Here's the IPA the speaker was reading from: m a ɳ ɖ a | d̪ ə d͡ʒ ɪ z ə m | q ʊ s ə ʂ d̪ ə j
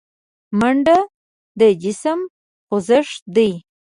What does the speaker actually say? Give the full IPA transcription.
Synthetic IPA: m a ɳ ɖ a | d̪ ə d͡ʒ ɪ s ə m | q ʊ z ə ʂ d̪ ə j

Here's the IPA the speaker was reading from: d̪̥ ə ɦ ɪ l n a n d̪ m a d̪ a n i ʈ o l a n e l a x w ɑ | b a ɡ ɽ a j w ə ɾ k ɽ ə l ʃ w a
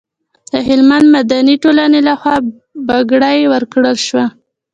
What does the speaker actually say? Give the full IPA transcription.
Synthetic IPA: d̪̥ ə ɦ ɪ l m a n d̪ m a d̪ a n i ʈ o l a n e l a x w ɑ | b a ɡ ɽ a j w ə ɾ k ɽ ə l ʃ w a

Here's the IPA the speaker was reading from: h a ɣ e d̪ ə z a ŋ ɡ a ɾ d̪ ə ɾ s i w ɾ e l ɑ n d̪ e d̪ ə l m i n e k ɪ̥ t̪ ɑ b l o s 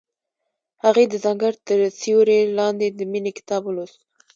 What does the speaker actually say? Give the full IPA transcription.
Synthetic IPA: h a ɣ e d̪ ə z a ŋ ɡ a ɾ t̪ ə ɾ s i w ɾ e l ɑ n d̪ e d̪ ə m i n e k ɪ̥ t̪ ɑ b l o s

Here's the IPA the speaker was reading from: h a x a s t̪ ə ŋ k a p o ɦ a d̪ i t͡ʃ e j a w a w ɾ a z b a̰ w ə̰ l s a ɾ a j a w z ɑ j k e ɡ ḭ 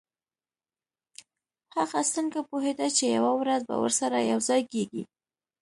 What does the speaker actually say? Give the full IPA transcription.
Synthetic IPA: h a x a s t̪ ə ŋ k a p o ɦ e d̪ a t͡ʃ e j a w a w ɾ a z b a̰ w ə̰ ɾ s a ɾ a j a w z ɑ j k e ɡ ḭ

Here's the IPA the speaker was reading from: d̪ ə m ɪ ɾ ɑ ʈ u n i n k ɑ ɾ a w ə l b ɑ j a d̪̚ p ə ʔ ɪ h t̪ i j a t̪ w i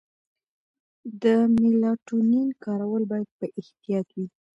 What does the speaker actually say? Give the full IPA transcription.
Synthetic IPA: d̪ ə m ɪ l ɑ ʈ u n i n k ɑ ɾ a w ə l b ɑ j a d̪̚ p ə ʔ ɪ h t̪ i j ɑ t̪ w i

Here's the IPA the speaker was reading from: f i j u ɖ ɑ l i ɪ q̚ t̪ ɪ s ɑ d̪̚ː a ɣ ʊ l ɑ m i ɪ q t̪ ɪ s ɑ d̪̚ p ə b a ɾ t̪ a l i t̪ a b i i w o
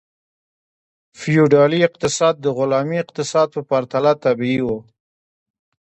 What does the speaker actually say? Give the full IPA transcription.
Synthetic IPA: f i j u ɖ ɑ l i ɪ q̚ t̪ ɪ s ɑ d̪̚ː ə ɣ ʊ l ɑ m i ɪ q t̪ ɪ s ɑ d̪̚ p ə p a ɾ t̪ a l a t̪ a b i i w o

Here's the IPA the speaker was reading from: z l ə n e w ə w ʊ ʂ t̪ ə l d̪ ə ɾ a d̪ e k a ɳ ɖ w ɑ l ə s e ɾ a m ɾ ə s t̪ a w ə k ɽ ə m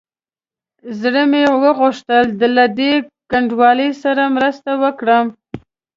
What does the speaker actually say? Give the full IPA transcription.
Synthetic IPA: z ɽ ə m e w ə ɣ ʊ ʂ t̪ ə l d̪ ə l a d̪ e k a ɳ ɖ w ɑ l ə s a ɾ a m ɾ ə s t̪ a w ə k ɽ ə m

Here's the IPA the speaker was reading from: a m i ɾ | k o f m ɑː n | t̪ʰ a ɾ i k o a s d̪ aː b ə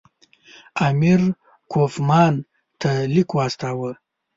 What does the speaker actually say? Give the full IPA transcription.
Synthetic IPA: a m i ɾ | k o f m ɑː n | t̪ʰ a l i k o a s t̪ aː w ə

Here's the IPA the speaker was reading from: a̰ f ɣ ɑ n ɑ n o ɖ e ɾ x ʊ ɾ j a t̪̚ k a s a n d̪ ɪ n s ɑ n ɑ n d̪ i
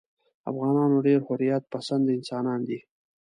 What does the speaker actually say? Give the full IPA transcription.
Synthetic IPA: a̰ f ɣ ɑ n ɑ n o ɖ e ɾ h ʊ ɾ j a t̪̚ p a s a n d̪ ɪ n s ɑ n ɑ n d̪ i

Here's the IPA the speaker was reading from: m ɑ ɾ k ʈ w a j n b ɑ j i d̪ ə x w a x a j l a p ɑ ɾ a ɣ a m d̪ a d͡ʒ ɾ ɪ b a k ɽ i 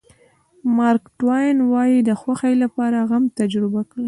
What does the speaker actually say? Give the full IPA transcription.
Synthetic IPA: m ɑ ɾ k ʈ w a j n w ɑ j i d̪ ə x w a x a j l a p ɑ ɾ a ɣ a m t̪ a d͡ʒ ɾ ɪ b a k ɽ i

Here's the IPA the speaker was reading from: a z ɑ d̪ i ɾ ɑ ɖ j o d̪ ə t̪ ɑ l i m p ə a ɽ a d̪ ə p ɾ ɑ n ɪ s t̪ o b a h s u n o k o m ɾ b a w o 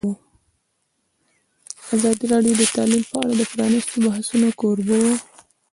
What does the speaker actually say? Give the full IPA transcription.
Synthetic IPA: a z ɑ d̪ i ɾ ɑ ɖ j o d̪ ə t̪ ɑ l i m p ə a ɽ a d̪ ə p ɾ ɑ n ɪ s t̪ o b a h s u n o k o ɾ b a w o

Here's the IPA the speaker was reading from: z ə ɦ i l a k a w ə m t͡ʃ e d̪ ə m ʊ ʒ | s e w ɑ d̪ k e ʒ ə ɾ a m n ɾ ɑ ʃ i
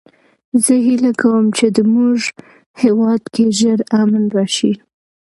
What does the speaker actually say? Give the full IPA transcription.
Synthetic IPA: z ə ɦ i l a k a w ə m t͡ʃ e d̪ ə m u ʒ | h e w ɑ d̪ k e ʒ ə ɾ a m n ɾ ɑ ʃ i

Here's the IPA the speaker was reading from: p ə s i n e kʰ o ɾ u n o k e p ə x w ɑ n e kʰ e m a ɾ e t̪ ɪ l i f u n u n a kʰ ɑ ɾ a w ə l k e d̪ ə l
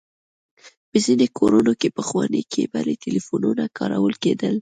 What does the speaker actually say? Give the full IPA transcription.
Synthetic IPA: p ə z i n e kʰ o ɾ u n o k e p ə x w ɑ n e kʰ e b a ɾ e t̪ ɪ l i f u n u n a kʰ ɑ ɾ a w ə l k e d̪ ə l

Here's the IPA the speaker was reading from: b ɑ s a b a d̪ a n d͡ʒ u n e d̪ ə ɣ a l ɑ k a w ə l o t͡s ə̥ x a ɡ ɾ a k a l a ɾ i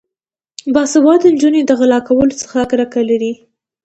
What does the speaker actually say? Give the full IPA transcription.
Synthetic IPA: b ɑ s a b ɑ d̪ ə n d͡ʒ u n e d̪ ə ɣ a l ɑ k a w ə l o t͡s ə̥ x a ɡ ɾ a k a l a ɾ i

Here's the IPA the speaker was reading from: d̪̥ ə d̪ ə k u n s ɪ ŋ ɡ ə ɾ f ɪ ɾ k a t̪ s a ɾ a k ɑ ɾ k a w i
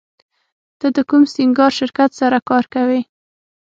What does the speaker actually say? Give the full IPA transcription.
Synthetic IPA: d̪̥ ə d̪ ə k u m s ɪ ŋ ɡ ɑ ɾ ʃ ɪ ɾ k a t̪ s a ɾ a k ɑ ɾ k a w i

